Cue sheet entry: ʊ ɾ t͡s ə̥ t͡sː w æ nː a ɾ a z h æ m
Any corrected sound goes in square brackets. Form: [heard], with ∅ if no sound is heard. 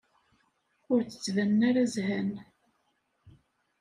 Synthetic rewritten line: ʊ ɾ t͡s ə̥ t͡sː [v] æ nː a ɾ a z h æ [n]